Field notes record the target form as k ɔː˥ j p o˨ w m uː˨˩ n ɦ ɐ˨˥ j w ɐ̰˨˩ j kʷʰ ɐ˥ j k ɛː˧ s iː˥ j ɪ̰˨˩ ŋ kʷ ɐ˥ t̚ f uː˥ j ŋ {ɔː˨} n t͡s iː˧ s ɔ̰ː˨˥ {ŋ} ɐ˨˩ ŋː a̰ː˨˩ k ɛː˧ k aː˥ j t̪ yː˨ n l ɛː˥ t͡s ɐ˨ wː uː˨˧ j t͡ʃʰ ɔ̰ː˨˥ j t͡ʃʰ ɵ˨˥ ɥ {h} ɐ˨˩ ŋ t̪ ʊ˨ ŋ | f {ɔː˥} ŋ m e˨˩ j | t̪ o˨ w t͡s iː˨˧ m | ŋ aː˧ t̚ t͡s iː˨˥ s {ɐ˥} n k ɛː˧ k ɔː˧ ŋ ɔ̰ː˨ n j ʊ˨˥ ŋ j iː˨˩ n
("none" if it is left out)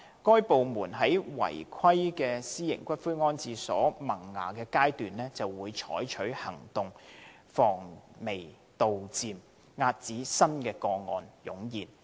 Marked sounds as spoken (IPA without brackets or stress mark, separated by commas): ɔː˥, m, h, ɔː˨˩, ɐ˥